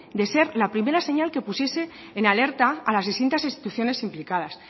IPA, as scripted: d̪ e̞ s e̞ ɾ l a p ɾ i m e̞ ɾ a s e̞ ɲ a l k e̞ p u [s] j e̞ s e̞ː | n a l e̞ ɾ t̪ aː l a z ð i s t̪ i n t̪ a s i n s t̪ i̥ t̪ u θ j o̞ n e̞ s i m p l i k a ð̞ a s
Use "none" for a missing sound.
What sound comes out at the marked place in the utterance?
s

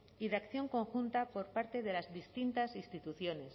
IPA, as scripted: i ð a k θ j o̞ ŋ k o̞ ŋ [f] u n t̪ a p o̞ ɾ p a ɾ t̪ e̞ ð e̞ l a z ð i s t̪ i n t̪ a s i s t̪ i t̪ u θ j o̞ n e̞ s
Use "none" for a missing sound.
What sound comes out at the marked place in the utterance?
x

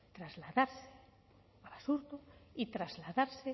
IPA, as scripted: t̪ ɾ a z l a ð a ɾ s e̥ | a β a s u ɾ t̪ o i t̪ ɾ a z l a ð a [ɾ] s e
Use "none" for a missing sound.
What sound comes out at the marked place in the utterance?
ɾ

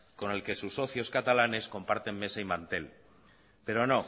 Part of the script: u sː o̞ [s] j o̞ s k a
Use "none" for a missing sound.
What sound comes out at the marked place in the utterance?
θ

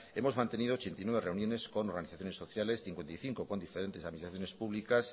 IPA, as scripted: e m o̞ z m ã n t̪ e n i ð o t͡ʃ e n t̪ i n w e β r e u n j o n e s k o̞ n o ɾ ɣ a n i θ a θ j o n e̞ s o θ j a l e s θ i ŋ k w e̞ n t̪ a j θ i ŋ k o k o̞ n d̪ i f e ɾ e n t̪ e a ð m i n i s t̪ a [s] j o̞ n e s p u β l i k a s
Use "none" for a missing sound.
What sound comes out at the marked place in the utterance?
θ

